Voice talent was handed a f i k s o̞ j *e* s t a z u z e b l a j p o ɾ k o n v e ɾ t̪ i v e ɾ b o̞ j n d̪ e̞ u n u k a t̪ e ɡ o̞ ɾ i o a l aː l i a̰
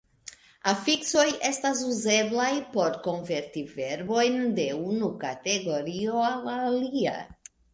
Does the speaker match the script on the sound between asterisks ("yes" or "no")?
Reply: yes